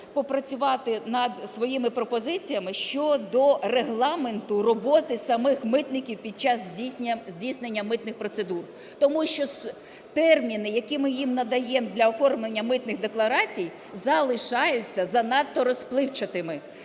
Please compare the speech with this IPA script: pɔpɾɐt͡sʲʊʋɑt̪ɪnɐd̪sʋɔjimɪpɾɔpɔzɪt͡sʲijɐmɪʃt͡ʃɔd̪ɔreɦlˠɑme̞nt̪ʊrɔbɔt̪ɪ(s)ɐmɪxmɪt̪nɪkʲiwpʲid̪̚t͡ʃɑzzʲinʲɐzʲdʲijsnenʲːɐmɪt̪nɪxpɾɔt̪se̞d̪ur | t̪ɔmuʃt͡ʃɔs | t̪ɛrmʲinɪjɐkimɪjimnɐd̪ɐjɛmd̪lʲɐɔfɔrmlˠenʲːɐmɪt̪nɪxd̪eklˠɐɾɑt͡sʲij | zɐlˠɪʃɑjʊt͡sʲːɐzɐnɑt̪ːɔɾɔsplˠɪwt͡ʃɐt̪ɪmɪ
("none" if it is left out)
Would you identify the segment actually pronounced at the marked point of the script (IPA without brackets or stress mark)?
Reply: s